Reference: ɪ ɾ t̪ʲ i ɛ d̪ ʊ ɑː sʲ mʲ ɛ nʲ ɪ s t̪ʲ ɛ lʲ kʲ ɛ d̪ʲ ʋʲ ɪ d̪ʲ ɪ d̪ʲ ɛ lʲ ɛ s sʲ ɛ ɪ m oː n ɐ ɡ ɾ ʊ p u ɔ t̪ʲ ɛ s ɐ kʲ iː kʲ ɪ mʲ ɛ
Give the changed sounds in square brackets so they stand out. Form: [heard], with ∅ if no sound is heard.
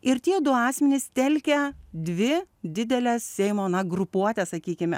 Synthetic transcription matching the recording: ɪ ɾ t̪ʲ i ɛ d̪ ʊ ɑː sʲ mʲ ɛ nʲ ɪ s t̪ʲ ɛ lʲ kʲ ɛ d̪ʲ ʋʲ ɪ d̪ʲ ɪ d̪ʲ ɛ lʲ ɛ s sʲ ɛ ɪ m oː n ɐ ɡ ɾ ʊ p u ɔ t̪ʲ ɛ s ɐ kʲ iː kʲ ɪ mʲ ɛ